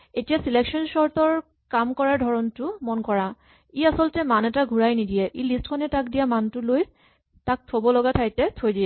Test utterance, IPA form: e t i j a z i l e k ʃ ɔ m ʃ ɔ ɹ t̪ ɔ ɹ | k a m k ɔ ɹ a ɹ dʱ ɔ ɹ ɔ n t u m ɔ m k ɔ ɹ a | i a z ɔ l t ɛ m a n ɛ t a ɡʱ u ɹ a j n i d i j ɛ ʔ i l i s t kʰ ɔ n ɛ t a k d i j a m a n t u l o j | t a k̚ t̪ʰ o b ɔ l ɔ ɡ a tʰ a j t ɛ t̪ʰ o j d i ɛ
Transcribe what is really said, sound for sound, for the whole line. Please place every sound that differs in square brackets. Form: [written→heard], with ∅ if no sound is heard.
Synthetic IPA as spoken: e t i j a [z→s] i l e k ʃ ɔ [m→n] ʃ ɔ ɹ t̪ ɔ ɹ | k a m k ɔ ɹ a ɹ dʱ ɔ ɹ ɔ n t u m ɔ [m→n] k ɔ ɹ a | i a [z→s] ɔ l t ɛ m a n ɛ t a ɡʱ u ɹ a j n i d i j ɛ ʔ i l i s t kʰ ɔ n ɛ t a k d i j a m a n t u l o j | t a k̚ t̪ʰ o b ɔ l ɔ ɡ a tʰ a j t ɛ t̪ʰ o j d i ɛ